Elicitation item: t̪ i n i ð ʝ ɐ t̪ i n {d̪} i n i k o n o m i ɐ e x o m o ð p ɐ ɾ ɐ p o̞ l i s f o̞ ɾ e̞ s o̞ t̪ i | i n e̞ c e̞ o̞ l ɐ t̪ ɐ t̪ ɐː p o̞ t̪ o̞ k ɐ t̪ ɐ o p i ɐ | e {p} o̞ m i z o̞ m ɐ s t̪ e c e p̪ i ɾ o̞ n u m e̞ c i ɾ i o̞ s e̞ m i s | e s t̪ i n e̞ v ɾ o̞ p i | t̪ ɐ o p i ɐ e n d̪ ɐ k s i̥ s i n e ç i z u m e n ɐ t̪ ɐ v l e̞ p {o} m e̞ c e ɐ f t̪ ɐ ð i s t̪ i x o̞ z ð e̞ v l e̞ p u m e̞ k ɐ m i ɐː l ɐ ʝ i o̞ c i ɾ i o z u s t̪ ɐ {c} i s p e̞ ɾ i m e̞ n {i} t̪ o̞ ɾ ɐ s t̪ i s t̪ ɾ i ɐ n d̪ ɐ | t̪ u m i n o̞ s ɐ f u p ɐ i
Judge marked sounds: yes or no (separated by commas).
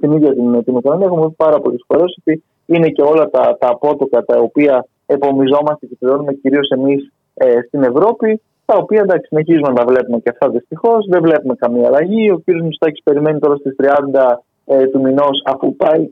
no, yes, no, yes, yes